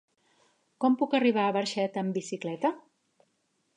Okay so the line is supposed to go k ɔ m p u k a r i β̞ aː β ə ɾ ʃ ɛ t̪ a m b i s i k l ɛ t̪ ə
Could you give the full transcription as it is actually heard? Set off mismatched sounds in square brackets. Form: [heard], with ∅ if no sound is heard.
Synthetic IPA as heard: k ɔ m p u k [ə] r i β̞ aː β ə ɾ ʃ ɛ t̪ [ə] m b i s i k l ɛ t̪ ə